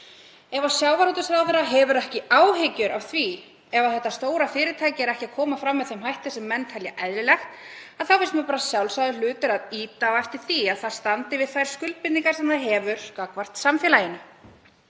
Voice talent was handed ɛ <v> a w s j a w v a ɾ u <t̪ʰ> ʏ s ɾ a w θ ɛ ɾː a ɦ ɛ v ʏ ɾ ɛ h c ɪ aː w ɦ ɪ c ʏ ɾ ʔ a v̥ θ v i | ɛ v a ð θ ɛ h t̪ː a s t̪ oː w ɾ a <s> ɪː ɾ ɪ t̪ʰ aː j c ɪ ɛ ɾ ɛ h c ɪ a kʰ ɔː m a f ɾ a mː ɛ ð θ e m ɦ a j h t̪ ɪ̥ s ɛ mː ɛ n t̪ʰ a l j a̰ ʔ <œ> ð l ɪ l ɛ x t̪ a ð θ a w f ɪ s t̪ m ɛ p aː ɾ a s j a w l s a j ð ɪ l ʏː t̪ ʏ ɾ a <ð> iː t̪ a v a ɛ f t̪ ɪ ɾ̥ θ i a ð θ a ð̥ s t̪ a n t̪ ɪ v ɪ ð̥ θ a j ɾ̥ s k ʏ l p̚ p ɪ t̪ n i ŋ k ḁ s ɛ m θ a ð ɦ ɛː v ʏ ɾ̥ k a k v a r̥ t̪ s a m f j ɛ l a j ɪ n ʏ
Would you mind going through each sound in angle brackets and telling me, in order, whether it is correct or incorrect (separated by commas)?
correct, incorrect, incorrect, incorrect, correct